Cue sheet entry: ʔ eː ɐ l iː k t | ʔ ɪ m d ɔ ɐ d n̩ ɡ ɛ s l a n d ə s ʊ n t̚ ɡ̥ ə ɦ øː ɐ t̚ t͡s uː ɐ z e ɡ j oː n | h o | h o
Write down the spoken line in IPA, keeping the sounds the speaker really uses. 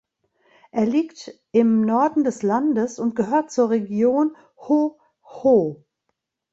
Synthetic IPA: ʔ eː ɐ l iː k t | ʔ ɪ m n ɔ ɐ d n̩ d ɛ s l a n d ə s ʊ n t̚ ɡ̥ ə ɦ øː ɐ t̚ t͡s uː ɐ ʁ e ɡ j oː n | h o | h o